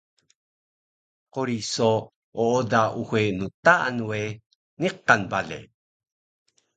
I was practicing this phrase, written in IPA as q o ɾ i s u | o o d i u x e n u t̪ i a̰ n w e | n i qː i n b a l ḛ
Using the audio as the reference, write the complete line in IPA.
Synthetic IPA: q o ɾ i s o | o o d a u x e n u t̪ a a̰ n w e | n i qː a n b a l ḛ